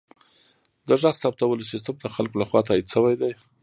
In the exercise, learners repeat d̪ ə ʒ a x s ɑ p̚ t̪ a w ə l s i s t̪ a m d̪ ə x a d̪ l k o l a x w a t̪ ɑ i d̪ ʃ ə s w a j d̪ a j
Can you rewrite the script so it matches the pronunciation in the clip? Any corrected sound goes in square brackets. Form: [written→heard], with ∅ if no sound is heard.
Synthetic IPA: d̪ ə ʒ a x s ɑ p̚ t̪ a w ə l s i s t̪ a m d̪ ə x a [d̪→∅] l k o l a x w [a→ɑ] t̪ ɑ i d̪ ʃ ə [s→∅] w a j d̪ a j